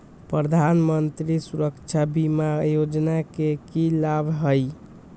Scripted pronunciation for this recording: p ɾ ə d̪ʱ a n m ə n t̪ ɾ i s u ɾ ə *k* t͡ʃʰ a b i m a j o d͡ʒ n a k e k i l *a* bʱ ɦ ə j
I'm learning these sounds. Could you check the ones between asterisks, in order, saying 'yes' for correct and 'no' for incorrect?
yes, yes

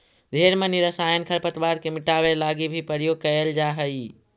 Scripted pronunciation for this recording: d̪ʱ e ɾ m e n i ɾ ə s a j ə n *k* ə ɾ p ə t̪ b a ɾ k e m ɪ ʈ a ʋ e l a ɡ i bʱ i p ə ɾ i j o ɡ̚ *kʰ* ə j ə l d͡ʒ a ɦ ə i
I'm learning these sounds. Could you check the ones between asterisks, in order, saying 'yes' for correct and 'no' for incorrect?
no, no

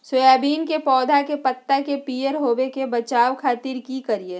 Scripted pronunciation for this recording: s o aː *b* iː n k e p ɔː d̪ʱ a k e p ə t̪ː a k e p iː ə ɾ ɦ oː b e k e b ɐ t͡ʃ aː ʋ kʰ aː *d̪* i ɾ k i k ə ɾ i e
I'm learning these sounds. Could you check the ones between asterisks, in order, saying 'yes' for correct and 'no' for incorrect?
yes, no

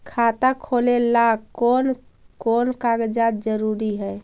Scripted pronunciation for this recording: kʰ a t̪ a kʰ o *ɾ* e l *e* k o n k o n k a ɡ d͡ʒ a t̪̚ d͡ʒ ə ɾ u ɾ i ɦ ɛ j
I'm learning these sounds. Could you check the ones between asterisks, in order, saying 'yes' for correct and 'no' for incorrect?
no, no

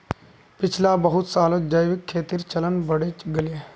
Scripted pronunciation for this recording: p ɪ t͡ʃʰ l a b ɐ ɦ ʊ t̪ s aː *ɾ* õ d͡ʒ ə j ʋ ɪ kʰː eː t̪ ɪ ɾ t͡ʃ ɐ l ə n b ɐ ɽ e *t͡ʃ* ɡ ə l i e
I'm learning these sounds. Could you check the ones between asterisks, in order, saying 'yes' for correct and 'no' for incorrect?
no, yes

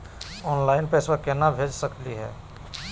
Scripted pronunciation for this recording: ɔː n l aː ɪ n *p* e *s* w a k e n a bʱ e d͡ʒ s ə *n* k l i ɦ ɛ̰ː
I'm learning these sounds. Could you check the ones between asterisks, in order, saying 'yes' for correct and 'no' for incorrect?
yes, yes, no

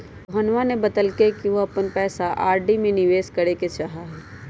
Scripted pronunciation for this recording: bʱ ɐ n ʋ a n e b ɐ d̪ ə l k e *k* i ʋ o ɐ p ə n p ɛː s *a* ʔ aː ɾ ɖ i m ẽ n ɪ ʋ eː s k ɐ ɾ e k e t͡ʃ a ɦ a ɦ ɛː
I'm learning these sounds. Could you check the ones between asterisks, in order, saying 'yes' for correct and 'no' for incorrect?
yes, yes

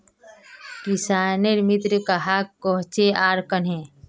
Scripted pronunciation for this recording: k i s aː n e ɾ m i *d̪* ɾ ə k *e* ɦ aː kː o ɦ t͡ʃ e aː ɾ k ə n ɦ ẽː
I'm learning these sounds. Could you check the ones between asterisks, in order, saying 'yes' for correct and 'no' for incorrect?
no, no

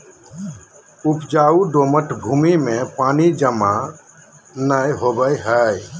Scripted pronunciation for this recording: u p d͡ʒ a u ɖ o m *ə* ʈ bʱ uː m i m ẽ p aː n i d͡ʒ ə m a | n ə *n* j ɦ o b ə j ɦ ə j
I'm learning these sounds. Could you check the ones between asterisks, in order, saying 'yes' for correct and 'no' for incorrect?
yes, no

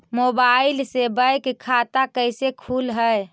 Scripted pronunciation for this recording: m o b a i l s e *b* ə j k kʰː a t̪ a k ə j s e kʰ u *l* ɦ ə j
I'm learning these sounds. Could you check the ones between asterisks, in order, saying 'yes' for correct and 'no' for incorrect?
yes, yes

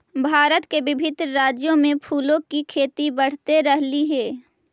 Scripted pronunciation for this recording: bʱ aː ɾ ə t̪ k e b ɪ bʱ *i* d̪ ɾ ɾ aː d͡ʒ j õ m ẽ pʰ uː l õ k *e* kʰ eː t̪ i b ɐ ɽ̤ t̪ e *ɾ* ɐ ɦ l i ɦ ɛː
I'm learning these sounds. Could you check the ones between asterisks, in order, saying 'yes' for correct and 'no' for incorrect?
no, no, yes

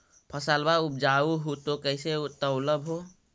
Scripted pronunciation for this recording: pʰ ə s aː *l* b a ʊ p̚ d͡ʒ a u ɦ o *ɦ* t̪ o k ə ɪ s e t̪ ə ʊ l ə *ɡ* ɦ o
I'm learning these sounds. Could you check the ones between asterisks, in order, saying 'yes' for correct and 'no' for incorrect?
yes, no, no

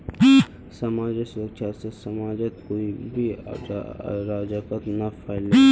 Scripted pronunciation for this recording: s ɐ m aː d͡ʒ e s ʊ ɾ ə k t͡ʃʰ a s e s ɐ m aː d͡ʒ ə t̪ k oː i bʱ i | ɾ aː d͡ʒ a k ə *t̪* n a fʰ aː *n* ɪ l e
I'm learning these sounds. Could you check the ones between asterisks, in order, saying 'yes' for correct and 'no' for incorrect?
yes, no

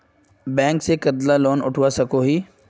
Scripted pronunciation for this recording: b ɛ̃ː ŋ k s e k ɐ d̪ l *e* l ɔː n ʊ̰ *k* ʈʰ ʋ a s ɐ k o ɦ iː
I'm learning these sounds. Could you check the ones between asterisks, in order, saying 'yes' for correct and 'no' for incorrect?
no, no

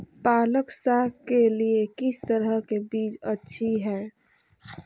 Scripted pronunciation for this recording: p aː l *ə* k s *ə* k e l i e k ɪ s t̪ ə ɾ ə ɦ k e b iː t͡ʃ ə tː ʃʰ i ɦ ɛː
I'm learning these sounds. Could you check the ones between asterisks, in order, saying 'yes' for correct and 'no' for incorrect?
yes, no

